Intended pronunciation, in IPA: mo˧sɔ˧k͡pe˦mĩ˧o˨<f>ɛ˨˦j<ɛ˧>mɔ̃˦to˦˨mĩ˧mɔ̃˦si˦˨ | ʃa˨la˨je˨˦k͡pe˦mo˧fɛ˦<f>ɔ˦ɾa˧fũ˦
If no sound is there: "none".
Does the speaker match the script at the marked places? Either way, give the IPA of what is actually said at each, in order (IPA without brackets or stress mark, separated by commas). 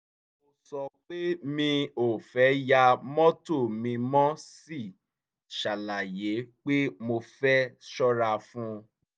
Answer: f, a˧, ʃ